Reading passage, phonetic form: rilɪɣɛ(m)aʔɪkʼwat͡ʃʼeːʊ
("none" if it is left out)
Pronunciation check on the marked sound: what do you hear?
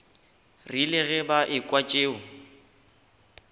b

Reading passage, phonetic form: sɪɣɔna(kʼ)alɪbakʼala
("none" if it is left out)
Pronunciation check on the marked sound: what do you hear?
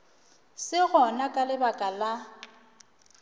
kʼ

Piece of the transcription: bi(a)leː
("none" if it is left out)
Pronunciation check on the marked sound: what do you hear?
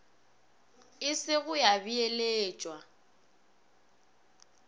e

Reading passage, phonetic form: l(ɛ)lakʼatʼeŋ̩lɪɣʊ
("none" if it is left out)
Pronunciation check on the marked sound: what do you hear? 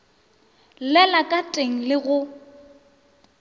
ɛ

